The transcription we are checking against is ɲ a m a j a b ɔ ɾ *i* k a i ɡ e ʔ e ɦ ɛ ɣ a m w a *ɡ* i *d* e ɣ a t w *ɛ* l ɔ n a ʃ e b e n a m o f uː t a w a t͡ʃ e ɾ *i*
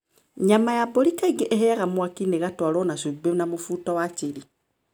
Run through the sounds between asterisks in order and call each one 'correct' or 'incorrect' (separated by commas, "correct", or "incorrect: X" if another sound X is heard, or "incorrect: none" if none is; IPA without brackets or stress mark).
correct, incorrect: k, incorrect: n, incorrect: a, correct